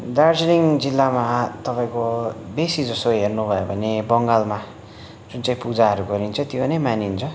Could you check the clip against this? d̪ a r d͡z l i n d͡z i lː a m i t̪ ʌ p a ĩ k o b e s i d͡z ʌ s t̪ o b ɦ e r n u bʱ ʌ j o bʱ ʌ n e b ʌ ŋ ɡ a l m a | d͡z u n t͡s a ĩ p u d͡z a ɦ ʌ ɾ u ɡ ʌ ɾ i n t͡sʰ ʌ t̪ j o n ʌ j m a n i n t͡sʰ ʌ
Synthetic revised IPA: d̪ a r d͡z l i ŋ d͡z i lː a m a t̪ ʌ p a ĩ k o b e s i d͡z ʌ s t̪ o ɦ e r n u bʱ ʌ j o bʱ ʌ n e b ʌ ŋ ɡ a l m a | d͡z u n t͡s a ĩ p u d͡z a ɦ ʌ ɾ u ɡ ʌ ɾ i n t͡sʰ ʌ t̪ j o n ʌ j m a n i n t͡sʰ ʌ

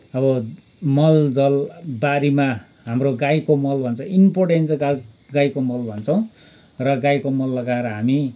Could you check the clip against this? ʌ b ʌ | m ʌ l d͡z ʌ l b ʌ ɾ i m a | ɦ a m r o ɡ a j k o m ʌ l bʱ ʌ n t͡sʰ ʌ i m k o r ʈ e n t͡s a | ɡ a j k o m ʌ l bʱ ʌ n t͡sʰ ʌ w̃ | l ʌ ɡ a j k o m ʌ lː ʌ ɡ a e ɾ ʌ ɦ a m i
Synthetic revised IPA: ʌ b ʌ | m ʌ l d͡z ʌ l b a ɾ i m a | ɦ a m r o ɡ a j k o m ʌ l bʱ ʌ n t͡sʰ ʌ i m p o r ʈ e n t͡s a | ɡ a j k o m ʌ l bʱ ʌ n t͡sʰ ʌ w̃ | r ʌ ɡ a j k o m ʌ lː ʌ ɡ a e ɾ ʌ ɦ a m i

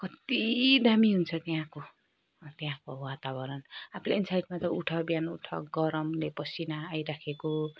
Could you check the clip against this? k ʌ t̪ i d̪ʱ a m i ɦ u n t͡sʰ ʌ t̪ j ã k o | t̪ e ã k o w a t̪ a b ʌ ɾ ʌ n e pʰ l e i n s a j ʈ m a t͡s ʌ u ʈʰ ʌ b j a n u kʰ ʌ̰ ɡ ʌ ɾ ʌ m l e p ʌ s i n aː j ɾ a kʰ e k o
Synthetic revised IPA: k ʌ t̪ i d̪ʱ a m i ɦ u n t͡sʰ ʌ t̪ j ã k o | t̪ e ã k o w a t̪ a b ʌ ɾ ʌ n a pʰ l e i n s a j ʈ m a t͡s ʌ u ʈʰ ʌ b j a n u ʈʰ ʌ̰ ɡ ʌ ɾ ʌ m l e p ʌ s i n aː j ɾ a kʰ e k o

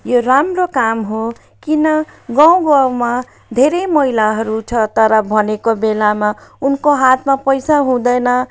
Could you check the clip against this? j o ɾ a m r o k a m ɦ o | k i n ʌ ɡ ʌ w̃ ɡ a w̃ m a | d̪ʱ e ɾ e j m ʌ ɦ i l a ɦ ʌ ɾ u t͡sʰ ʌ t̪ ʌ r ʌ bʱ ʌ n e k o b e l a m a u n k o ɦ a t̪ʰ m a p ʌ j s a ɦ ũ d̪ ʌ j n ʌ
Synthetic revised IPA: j o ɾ a m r o k a m ɦ o | k i n ʌ ɡ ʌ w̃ ɡ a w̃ m a | d̪ʱ e ɾ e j m ʌ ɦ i l a ɦ ʌ ɾ u t͡sʰ ʌ t̪ ʌ ɾ ʌ bʱ ʌ n e k o b e l a m a u n k o ɦ a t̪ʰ m a p ʌ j s a ɦ ũ d̪ ʌ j n ʌ

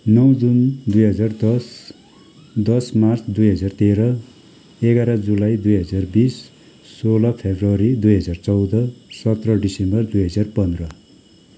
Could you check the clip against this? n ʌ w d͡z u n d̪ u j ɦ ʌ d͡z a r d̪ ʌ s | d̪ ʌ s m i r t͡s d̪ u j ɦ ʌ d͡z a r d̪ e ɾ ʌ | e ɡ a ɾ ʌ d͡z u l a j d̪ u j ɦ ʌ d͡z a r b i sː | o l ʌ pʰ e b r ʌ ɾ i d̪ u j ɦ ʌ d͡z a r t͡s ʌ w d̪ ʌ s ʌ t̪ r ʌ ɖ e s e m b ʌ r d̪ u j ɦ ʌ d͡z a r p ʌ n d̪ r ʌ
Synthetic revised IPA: n ʌ w d͡z u n d̪ u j ɦ ʌ d͡z a r d̪ ʌ s | d̪ ʌ s m a r t͡s d̪ u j ɦ ʌ d͡z a r t̪ e ɾ ʌ | e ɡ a ɾ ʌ d͡z u l a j d̪ u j ɦ ʌ d͡z a r b i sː | o l ʌ pʰ e b r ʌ ɾ i d̪ u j ɦ ʌ d͡z a r t͡s ʌ w d̪ ʌ s ʌ t̪ r ʌ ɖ i s e m b ʌ r d̪ u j ɦ ʌ d͡z a r p ʌ n d̪ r ʌ

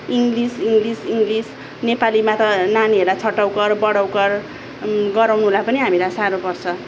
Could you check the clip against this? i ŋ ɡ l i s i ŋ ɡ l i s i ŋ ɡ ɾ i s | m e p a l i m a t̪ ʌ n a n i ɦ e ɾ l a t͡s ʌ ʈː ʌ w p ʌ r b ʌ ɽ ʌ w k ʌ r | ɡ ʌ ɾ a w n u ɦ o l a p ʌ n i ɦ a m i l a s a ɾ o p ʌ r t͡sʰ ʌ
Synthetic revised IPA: i ŋ ɡ l i s i ŋ ɡ l i s i ŋ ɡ l i s | n e p a l i m a t̪ ʌ n a n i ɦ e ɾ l a t͡sʰ ʌ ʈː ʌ w k ʌ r b ʌ ɽ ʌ w k ʌ r | ɡ ʌ ɾ a w n u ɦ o l a p ʌ n i ɦ a m i l a s a ɾ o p ʌ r t͡sʰ ʌ

